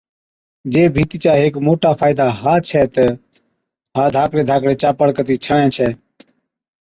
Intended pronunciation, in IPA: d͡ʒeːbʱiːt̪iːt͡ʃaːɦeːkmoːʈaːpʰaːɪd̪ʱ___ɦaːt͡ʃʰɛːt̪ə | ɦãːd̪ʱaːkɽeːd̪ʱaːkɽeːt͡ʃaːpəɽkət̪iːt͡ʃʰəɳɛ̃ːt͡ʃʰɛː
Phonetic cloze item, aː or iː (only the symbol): aː